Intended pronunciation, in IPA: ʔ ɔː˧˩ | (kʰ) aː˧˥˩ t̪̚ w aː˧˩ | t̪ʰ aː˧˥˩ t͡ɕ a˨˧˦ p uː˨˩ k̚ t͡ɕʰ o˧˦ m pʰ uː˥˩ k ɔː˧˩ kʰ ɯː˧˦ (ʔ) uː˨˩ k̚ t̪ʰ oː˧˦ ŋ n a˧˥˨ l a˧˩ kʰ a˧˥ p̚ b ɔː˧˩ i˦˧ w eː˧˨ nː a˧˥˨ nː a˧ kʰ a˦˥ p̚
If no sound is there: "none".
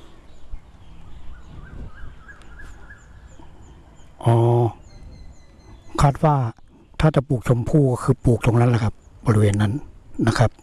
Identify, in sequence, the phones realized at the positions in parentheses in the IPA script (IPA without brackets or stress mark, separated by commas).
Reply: kʰ, p